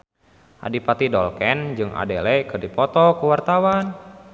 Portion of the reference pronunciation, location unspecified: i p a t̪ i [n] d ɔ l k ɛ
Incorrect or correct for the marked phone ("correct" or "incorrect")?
incorrect